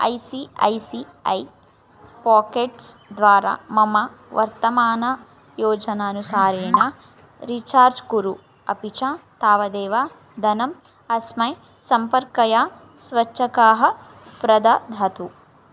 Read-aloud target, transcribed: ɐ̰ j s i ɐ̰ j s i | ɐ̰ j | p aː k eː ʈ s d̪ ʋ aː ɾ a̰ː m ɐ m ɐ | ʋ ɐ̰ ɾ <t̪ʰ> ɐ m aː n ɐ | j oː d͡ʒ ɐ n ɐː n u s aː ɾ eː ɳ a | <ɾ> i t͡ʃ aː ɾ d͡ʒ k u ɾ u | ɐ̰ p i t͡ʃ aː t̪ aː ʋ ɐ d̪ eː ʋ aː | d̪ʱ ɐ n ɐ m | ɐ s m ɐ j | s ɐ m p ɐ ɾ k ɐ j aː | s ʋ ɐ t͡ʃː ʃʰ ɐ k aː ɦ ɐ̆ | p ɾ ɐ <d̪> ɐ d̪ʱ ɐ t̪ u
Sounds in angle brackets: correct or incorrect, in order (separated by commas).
incorrect, correct, correct